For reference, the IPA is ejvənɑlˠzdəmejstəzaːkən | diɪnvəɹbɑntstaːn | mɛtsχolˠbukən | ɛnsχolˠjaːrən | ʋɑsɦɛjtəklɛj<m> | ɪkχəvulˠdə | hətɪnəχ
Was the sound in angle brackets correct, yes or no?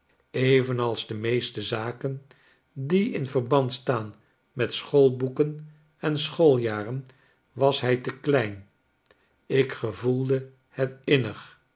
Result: no